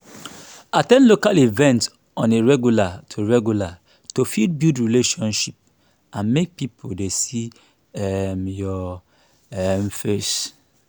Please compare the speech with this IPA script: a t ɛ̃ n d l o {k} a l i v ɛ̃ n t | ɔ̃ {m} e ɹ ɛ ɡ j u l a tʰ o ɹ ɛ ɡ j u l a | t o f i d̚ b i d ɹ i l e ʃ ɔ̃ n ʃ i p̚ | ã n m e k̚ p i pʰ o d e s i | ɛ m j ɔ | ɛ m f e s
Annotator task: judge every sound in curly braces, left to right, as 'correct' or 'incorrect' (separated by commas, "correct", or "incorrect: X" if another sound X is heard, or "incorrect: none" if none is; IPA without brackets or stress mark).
correct, incorrect: n